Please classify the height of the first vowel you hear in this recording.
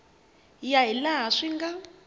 low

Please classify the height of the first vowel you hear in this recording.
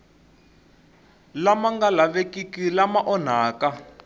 low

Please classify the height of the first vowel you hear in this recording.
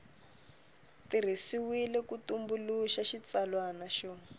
high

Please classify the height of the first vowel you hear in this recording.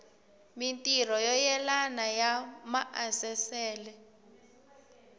high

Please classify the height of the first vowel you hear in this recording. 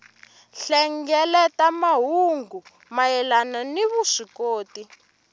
mid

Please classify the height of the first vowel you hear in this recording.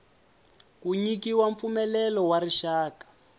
high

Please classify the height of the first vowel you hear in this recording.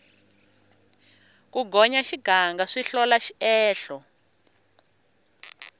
high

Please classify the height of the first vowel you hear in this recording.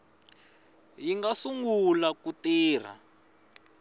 high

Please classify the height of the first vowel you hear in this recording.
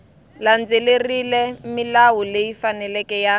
low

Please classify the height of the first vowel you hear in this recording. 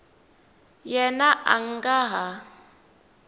mid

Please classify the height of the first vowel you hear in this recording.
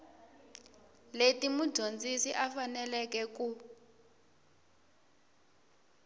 mid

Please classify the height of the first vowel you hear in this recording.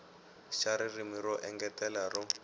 low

